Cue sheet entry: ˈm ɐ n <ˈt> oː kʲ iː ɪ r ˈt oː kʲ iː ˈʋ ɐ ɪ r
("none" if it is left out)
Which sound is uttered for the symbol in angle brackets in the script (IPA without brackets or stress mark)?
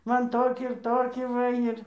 t